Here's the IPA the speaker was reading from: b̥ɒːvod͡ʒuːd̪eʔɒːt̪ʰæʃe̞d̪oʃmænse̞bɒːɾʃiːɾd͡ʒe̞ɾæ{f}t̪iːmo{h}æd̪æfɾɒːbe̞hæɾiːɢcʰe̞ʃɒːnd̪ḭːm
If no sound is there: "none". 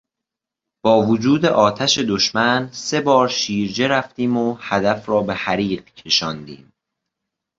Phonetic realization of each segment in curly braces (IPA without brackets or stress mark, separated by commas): f, h